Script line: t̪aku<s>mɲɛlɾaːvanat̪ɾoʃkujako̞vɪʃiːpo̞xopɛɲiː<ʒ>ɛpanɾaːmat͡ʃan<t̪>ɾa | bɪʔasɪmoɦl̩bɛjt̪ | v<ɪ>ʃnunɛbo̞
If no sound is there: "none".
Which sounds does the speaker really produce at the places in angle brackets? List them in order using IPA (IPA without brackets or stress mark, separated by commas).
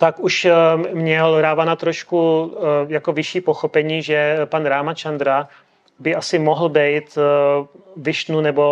ʃ, ʒ, d̪, ɪ